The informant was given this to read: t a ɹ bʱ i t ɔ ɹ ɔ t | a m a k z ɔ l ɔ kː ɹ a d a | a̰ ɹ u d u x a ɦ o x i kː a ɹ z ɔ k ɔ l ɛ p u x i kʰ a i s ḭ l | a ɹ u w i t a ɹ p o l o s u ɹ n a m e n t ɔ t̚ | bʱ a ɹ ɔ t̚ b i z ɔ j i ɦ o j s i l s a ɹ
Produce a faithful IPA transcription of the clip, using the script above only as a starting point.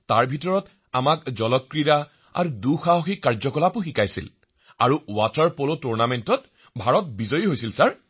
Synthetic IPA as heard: t a ɹ bʱ i t ɔ ɹ ɔ t | a m a k z ɔ l ɔ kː ɹ i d a | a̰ ɹ u d u x a ɦ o x i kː a ɹ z ɔ k ɔ l a p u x i k a j s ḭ l | a ɹ u w a t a ɹ p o l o t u ɹ n a m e n t ɔ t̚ | bʱ a ɹ ɔ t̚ b i z ɔ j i ɦ o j s i l s a ɹ